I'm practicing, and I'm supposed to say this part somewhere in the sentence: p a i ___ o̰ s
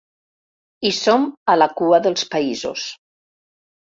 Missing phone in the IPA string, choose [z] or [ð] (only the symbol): z